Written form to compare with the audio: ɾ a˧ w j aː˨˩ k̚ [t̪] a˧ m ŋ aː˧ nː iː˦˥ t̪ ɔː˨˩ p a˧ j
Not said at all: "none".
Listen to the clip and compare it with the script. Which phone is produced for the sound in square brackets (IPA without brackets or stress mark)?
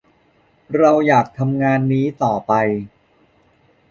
t̪ʰ